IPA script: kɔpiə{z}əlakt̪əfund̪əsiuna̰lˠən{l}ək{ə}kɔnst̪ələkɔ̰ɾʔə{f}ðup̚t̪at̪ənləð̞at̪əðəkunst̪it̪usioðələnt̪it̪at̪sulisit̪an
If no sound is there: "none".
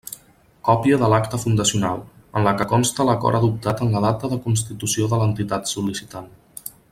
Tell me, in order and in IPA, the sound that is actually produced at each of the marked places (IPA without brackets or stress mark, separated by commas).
ð, l, ə, none